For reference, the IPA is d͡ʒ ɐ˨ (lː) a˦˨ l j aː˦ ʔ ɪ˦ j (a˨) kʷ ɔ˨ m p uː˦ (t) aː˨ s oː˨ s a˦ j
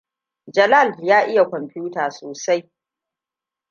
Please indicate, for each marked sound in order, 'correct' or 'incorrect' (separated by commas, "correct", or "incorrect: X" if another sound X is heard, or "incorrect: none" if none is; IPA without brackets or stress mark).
incorrect: l, correct, correct